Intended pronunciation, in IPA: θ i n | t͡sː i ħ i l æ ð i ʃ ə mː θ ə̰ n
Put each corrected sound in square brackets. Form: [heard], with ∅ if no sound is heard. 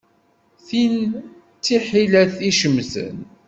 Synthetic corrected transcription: θ i n | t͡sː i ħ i l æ [θ] i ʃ ə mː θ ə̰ n